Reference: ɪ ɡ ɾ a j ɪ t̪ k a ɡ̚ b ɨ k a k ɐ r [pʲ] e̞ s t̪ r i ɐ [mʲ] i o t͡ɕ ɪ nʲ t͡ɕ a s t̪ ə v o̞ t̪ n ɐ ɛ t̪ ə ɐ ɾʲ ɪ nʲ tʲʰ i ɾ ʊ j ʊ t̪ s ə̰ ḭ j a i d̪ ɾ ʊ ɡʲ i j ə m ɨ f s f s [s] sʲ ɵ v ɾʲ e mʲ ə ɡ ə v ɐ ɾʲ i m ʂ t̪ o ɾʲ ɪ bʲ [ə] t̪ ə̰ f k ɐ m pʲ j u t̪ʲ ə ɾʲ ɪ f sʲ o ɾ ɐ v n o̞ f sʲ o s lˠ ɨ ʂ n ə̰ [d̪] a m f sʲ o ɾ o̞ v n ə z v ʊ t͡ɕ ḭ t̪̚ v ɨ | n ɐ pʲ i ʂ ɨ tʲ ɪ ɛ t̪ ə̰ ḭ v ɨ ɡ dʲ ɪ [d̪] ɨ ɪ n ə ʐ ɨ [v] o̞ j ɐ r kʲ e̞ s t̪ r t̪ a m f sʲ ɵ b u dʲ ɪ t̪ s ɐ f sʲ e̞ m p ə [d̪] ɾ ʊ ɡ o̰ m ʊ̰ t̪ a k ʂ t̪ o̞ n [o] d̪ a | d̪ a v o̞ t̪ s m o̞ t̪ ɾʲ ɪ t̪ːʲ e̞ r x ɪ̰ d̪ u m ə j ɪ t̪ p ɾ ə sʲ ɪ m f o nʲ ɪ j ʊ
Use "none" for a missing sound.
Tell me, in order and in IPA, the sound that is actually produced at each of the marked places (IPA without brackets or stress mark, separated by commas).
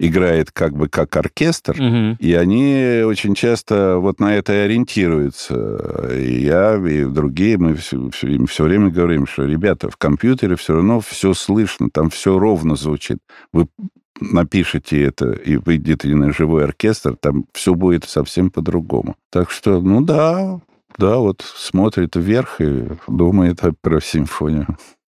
kʲ, nʲ, f, a, t̪, t̪, v, d̪, u